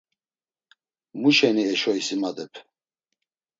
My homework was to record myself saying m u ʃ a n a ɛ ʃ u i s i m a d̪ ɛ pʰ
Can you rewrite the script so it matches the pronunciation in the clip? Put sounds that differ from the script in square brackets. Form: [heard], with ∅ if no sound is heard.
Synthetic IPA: m u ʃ [ɛ] n [i] ɛ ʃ [ɔ] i s i m a d̪ ɛ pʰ